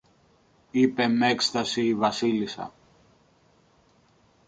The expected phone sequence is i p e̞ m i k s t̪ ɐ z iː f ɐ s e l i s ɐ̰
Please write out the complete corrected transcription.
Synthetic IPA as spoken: i p e̞ m e k s t̪ ɐ s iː v ɐ s i l i s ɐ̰